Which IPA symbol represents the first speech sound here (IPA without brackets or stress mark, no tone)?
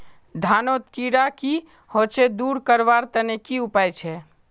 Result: d̪ʱ